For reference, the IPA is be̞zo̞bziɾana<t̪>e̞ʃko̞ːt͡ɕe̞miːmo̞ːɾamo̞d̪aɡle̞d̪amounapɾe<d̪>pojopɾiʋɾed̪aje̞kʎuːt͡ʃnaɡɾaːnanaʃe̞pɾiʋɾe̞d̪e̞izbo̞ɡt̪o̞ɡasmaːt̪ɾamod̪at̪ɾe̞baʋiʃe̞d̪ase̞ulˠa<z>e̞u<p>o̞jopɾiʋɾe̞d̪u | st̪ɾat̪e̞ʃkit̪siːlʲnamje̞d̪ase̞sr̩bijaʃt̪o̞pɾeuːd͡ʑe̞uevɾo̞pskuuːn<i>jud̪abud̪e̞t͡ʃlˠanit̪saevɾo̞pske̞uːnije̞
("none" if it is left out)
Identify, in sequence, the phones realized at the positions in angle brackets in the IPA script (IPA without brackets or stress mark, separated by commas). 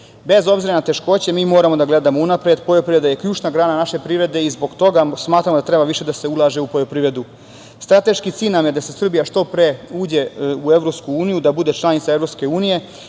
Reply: t̪, d̪, ʒ, p, i